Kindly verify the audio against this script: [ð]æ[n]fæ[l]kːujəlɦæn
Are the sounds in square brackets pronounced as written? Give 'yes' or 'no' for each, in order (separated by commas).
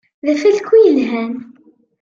yes, no, yes